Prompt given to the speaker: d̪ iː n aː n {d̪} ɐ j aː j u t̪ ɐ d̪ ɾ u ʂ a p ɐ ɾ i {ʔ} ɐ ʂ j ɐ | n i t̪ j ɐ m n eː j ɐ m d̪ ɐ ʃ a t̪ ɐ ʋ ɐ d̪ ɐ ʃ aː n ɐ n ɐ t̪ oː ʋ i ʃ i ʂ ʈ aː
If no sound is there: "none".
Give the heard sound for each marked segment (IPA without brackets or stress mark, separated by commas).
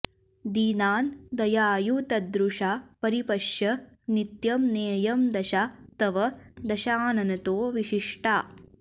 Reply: d̪, p